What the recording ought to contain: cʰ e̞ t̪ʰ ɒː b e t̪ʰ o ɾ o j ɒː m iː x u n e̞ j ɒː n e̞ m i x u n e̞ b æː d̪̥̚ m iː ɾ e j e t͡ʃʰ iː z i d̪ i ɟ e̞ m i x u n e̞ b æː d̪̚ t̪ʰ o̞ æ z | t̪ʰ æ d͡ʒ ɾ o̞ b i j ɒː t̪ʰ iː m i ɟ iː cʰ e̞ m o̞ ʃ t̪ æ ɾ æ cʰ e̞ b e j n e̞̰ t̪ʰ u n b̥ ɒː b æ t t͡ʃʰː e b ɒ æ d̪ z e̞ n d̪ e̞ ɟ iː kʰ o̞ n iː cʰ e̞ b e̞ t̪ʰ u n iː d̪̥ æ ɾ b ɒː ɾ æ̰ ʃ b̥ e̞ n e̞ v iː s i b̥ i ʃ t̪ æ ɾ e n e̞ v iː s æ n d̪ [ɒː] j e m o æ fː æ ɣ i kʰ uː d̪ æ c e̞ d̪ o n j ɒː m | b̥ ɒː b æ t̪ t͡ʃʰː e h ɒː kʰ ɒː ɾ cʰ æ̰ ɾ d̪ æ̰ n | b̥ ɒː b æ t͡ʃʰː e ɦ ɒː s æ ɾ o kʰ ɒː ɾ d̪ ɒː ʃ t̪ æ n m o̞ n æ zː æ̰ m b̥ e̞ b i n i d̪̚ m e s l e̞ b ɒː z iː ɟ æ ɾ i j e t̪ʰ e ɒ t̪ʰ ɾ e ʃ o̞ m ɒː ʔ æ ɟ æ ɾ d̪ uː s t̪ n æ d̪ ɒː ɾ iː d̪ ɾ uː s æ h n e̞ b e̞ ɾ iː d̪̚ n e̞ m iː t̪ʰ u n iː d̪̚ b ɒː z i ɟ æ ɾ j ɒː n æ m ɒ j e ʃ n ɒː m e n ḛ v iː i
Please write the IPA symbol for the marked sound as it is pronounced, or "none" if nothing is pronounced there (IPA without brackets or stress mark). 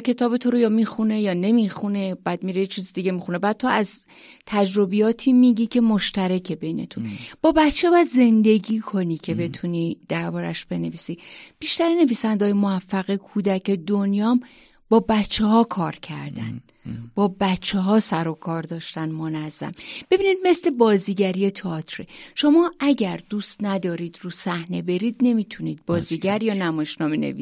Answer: ɒː